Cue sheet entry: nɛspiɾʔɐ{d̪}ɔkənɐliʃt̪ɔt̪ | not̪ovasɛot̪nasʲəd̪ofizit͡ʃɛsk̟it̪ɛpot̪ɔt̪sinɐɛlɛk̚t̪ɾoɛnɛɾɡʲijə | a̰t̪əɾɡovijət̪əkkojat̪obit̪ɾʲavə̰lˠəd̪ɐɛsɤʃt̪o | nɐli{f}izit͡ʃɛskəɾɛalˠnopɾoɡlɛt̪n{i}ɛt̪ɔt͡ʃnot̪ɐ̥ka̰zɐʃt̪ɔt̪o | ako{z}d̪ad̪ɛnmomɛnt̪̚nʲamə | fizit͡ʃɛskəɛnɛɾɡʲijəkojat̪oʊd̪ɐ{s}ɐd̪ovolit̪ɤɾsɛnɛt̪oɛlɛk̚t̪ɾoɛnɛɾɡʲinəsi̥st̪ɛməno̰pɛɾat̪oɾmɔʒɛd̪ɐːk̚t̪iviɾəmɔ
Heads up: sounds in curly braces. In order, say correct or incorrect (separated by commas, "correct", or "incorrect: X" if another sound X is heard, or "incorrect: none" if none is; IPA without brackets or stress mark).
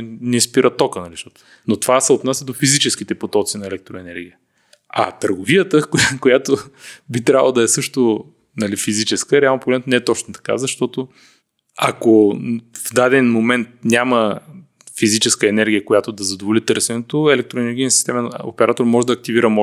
incorrect: t̪, correct, incorrect: ɛ, incorrect: v, incorrect: z